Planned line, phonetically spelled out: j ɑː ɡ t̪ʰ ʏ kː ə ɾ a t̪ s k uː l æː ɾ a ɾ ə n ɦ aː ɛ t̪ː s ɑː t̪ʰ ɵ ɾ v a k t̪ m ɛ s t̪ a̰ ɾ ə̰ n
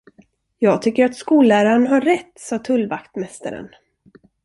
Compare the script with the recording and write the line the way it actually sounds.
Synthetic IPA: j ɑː ɡ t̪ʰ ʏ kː ə ɾ a t̪ s k uː l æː ɾ a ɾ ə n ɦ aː ɛ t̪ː s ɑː t̪ʰ ɵ l v a k t̪ m ɛ s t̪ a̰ ɾ ə̰ n